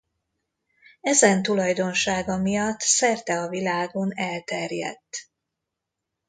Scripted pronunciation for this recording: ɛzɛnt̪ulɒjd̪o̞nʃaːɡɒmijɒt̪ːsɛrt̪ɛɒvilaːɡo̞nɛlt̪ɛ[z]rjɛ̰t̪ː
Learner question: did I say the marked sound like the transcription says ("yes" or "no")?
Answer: no